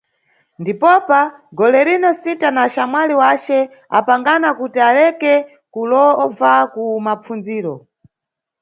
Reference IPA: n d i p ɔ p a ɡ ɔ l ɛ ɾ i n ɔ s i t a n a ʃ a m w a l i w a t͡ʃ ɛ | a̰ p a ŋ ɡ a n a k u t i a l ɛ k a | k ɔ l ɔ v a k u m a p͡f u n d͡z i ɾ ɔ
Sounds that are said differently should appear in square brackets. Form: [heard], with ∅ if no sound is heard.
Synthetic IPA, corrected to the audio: n d i p ɔ p a ɡ ɔ l ɛ ɾ i n ɔ s i t a n a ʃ a m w a l i w a t͡ʃ ɛ | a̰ p a ŋ ɡ a n a k u t i a l ɛ k [ɛ] | k [u] l ɔ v a k u m a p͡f u n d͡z [iː] ɾ ɔ